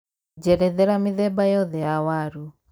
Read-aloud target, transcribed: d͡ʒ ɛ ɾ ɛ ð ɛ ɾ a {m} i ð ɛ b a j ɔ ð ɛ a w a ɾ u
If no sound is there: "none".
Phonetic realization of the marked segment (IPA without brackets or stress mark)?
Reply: m